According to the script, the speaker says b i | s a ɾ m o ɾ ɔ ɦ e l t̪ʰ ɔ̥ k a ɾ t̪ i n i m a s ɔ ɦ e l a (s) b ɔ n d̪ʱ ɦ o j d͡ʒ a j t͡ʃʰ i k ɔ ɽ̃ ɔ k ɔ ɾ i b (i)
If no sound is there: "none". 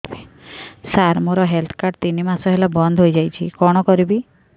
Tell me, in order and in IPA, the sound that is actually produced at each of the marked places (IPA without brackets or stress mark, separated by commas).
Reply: none, i